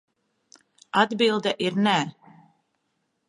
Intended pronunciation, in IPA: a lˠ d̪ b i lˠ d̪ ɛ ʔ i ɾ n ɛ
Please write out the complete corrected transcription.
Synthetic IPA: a d̪ b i lˠ d̪ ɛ ʔ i ɾ n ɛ